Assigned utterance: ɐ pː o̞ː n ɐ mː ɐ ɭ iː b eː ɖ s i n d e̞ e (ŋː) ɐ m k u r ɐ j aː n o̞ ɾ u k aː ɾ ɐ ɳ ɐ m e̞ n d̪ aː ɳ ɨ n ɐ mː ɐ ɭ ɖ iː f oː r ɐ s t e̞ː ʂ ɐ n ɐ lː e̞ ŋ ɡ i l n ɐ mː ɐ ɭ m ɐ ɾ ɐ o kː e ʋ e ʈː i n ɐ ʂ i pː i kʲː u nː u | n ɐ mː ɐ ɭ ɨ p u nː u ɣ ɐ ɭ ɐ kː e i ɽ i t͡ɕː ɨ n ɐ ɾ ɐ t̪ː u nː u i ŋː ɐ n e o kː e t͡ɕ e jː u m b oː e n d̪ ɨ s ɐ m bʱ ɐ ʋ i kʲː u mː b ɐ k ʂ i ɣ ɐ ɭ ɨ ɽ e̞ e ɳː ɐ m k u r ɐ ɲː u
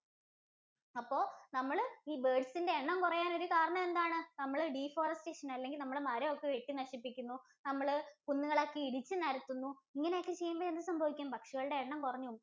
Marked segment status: incorrect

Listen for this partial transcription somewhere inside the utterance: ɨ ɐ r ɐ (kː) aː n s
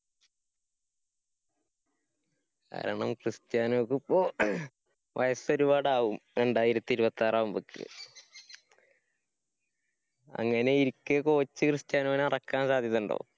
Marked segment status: correct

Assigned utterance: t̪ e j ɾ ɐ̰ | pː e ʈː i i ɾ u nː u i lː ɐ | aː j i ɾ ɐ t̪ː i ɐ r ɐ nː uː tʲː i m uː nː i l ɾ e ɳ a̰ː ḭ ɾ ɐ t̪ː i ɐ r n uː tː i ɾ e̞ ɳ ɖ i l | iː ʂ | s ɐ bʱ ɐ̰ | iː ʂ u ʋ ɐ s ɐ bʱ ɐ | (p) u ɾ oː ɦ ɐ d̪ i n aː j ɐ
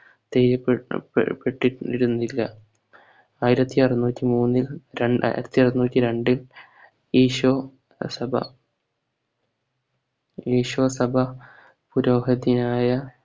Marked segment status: correct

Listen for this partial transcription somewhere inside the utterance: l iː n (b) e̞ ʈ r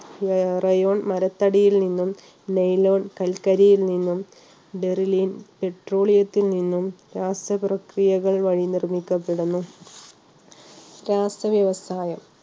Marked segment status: incorrect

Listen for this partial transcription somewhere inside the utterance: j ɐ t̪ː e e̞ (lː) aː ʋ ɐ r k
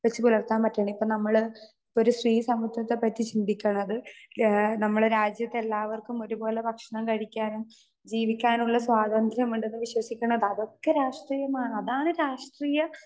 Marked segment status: correct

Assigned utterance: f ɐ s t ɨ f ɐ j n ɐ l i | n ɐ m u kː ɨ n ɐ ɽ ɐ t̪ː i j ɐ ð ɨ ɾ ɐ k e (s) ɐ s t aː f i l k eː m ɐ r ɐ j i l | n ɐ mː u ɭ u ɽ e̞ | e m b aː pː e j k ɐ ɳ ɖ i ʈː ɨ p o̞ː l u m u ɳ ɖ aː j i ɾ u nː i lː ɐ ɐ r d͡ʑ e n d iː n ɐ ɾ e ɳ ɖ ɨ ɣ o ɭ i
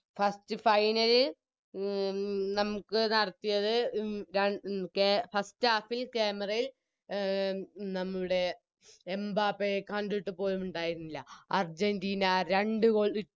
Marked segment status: incorrect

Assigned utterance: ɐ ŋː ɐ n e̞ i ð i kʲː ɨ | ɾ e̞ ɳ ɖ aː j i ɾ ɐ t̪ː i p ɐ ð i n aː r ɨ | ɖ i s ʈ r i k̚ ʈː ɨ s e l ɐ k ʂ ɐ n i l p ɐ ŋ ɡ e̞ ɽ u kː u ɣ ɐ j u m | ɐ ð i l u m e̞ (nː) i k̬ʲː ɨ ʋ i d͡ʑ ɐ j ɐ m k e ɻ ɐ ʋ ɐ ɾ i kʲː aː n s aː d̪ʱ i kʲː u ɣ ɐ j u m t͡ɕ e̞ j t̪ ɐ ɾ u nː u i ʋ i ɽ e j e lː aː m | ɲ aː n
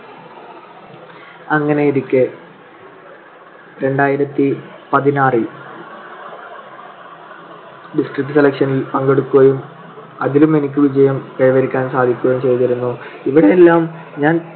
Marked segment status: incorrect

